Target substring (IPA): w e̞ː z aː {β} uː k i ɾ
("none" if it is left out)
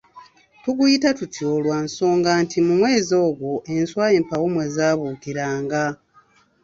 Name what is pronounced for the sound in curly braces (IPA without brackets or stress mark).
β